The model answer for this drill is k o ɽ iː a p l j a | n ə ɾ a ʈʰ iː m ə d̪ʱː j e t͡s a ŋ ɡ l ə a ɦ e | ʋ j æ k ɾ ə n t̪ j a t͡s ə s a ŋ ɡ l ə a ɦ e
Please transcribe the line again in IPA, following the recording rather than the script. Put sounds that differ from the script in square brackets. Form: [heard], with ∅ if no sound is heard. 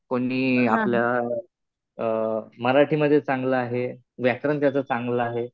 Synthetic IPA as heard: k o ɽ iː a p l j a | [m] ə ɾ a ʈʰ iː m ə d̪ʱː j e t͡s a ŋ ɡ l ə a ɦ e | ʋ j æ k ɾ ə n t̪ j a t͡s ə [t͡s] a ŋ ɡ l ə a ɦ e

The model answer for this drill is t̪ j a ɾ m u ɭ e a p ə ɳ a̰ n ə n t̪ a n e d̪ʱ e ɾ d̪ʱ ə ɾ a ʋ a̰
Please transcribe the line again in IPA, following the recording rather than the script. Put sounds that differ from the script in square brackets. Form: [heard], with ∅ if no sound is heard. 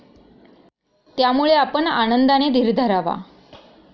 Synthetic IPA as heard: t̪ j a [∅] m u ɭ e a p ə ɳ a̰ n ə n [d̪] a n e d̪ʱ [i] ɾ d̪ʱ ə ɾ a ʋ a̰

